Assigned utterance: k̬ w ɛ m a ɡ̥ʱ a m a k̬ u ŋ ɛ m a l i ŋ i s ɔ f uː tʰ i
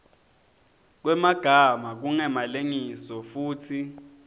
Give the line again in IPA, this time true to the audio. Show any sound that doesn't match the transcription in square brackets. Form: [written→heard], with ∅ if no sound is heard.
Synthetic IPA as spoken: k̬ w ɛ m a ɡ̥ʱ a m a k̬ u ŋ ɛ m a l [i→e] ŋ i s ɔ f uː tʰ i

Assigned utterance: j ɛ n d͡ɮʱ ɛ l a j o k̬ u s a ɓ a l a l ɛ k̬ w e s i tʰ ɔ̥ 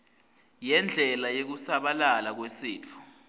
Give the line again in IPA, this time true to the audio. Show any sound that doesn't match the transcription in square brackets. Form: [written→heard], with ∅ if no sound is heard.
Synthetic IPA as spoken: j ɛ n d͡ɮʱ ɛ l a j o k̬ u s a ɓ a l a l [ɛ→a] k̬ w e s [i→iː] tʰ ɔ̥

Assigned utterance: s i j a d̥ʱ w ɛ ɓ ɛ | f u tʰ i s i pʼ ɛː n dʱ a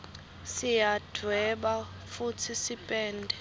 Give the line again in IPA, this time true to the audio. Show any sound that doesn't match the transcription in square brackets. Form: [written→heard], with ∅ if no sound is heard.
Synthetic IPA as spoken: s i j a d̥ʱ w ɛ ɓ [ɛ→a] | f u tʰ i s i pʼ ɛː n dʱ [a→ɛ]

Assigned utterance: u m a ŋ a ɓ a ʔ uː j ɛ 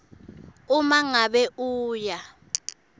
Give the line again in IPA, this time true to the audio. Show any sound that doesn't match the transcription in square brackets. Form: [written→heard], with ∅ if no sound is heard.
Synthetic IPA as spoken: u m a ŋ a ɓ [a→ɛ] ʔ uː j [ɛ→a]

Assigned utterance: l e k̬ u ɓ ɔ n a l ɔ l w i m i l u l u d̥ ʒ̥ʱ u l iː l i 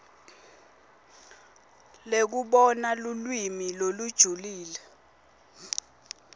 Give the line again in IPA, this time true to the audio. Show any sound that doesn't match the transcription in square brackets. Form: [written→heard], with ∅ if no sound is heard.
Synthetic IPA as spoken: l e k̬ u ɓ ɔ n a l [ɔ→u] l w i m i l [u→o] l u d̥ ʒ̥ʱ u l iː l [i→ɛ]

